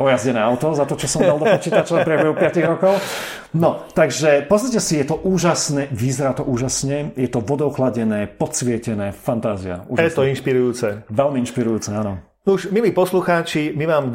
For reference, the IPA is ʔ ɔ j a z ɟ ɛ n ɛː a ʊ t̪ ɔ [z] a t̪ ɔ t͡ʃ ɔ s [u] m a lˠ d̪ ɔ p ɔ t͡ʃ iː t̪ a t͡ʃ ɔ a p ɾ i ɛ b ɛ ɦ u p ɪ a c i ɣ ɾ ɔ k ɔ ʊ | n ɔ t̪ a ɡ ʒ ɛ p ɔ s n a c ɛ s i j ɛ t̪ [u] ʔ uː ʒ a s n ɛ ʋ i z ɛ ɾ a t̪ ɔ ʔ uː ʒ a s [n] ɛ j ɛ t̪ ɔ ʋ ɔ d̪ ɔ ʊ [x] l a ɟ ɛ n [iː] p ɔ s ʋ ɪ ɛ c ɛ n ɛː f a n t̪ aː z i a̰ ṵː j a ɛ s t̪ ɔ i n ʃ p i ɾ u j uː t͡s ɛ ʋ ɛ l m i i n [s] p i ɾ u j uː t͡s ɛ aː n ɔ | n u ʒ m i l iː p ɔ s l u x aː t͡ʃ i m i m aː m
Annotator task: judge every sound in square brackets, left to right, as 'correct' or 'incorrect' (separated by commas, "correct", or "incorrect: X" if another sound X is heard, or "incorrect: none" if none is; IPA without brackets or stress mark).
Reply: correct, incorrect: ɔ, incorrect: ɔ, incorrect: ɲ, correct, incorrect: ɛː, incorrect: ʃ